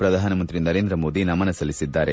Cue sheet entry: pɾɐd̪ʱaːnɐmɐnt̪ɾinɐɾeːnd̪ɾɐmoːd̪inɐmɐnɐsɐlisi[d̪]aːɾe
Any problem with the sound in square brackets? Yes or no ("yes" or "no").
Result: yes